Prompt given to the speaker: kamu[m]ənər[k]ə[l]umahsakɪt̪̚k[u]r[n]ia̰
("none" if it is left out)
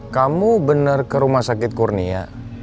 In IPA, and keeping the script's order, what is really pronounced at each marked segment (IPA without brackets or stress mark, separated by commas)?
b, k, ɾ, u, n